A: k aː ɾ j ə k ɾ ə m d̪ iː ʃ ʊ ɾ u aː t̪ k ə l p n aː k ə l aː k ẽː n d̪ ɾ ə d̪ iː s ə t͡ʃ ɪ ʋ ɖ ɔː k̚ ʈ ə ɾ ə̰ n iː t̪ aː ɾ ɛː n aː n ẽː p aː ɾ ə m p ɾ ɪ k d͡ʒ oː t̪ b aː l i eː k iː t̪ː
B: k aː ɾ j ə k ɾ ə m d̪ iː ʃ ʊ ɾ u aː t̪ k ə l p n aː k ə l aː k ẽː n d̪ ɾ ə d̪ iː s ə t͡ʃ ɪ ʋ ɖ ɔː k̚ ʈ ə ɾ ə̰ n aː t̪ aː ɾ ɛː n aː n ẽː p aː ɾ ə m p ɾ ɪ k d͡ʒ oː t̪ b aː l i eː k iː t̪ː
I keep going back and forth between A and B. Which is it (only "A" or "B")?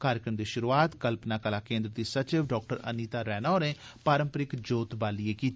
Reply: A